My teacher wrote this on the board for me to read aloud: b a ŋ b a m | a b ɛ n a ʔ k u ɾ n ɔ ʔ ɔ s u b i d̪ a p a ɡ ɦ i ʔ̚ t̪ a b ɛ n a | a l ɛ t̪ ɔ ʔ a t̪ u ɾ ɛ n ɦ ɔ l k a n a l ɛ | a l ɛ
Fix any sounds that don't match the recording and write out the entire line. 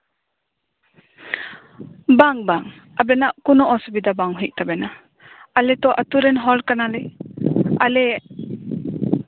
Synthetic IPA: b a ŋ b a ŋ | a b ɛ n a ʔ k u n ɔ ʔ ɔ s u b i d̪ a b a ŋ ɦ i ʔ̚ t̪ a b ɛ n a | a l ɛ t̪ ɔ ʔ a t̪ u ɾ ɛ n ɦ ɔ l k a n a l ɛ | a l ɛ